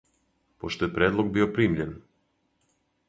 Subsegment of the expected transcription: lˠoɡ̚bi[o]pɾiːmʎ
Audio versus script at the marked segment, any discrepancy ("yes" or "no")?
no